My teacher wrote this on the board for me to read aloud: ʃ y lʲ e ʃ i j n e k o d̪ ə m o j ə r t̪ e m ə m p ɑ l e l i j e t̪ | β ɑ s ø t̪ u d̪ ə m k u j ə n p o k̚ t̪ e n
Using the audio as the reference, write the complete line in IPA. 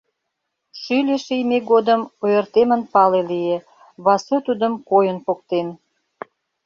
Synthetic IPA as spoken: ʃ y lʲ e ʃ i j m e ɡ o d̪ ə m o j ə r t̪ e m ə n p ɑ l e l i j e | β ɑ s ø t̪ u d̪ ə m k o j ə n p o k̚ t̪ e n